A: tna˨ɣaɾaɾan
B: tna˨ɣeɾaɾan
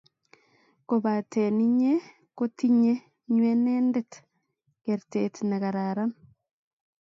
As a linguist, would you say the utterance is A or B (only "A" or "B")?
A